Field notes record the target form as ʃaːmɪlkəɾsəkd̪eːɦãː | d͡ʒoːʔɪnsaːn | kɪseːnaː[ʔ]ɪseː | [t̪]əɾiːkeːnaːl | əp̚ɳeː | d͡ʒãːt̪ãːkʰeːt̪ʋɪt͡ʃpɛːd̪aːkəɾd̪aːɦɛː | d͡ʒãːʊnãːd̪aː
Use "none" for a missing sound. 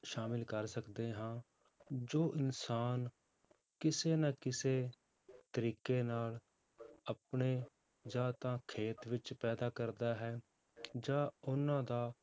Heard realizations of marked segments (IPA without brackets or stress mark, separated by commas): k, t̪